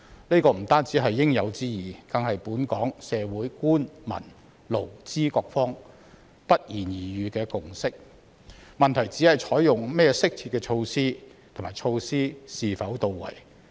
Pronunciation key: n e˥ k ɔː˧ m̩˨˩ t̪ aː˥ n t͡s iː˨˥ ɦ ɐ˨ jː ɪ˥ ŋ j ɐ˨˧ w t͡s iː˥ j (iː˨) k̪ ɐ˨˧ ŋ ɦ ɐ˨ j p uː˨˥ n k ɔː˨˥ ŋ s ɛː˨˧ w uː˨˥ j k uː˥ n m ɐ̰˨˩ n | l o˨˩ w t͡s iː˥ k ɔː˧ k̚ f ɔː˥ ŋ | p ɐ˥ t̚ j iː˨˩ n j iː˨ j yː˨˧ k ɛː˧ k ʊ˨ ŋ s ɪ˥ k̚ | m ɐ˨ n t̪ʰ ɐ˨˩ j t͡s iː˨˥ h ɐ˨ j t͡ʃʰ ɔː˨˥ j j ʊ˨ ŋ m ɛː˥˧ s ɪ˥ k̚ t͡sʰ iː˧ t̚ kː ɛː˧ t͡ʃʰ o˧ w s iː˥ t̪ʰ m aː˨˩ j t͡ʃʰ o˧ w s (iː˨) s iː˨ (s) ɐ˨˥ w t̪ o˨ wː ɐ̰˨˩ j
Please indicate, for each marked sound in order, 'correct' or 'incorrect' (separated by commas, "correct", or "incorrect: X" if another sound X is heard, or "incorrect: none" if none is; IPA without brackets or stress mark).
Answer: correct, incorrect: iː˥, incorrect: f